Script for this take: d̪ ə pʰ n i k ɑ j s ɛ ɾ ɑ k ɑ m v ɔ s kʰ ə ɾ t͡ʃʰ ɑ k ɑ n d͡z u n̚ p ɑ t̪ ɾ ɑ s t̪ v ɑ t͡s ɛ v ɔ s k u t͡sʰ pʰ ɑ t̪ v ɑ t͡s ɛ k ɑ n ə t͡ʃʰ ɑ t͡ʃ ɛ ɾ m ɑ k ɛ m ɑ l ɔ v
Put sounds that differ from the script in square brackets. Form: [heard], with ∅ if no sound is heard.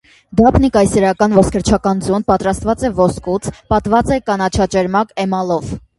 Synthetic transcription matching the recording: d̪ [ɑ] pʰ n i k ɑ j s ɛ ɾ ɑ k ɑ [n] v ɔ s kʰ ə ɾ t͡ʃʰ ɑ k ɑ n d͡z u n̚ p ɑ t̪ ɾ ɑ s t̪ v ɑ t͡s ɛ v ɔ s k u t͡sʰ [p] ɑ t̪ v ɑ t͡s ɛ k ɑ n [ɑ] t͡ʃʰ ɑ t͡ʃ ɛ ɾ m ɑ k ɛ m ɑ l ɔ v